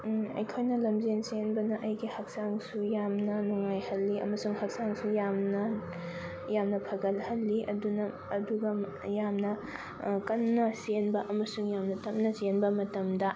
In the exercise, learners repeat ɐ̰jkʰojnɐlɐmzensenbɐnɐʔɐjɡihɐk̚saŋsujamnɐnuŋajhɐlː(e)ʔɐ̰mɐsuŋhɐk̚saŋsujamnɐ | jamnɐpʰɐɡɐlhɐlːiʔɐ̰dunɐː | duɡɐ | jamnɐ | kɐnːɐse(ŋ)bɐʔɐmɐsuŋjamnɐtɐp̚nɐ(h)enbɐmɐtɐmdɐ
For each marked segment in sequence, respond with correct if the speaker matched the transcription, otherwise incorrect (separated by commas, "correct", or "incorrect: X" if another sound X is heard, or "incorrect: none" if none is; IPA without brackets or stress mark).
incorrect: i, incorrect: n, incorrect: s